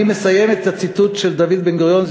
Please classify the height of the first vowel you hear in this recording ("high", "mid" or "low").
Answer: high